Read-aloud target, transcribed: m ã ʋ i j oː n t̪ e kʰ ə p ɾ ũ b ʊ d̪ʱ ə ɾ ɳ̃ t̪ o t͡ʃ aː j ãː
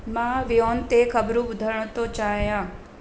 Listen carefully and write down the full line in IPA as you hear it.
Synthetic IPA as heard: m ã ʋ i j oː n t̪ e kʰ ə b ɾ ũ b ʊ d̪ʱ ə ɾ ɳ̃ t̪ o t͡ʃ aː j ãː